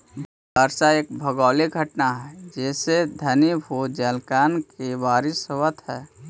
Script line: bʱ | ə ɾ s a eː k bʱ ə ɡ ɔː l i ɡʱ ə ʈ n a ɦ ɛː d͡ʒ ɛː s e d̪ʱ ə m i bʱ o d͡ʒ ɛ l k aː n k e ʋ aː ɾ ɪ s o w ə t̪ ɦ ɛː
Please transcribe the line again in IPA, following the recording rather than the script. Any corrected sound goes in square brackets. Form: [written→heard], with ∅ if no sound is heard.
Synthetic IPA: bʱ | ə ɾ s a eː k bʱ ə ɡ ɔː l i ɡʱ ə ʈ n a ɦ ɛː d͡ʒ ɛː s e d̪ʱ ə [m→n] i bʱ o d͡ʒ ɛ l k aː n k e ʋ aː ɾ ɪ s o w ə t̪ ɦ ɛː